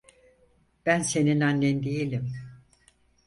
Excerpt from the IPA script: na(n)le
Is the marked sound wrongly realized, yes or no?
no